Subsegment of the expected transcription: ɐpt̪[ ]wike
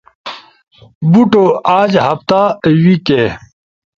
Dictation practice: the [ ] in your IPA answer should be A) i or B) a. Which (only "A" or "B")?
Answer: B